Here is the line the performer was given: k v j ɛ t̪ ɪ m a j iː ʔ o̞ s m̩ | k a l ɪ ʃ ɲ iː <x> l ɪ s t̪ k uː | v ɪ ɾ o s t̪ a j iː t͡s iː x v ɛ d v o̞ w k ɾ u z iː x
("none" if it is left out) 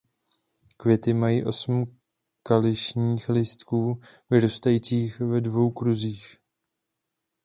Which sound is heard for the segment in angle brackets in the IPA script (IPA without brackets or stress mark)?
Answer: x